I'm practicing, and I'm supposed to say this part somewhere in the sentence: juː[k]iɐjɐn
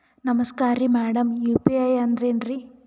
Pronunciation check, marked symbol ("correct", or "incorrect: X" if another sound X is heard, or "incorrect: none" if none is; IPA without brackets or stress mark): incorrect: p